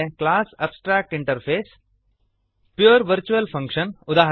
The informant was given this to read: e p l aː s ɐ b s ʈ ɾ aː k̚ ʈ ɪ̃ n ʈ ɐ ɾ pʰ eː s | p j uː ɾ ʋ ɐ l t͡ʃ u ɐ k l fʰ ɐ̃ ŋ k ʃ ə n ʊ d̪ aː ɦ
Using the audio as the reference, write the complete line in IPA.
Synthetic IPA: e k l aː s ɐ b s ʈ ɾ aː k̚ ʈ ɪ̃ ɳ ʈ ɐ ɾ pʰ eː s | p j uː ɾ ʋ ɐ ɾ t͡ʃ u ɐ l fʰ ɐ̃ ŋ k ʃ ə n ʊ d̪ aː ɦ